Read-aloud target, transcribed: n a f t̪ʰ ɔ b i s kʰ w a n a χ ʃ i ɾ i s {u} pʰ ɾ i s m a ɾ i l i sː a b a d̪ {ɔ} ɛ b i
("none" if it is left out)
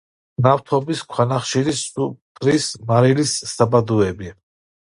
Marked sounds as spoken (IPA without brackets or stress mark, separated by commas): u, u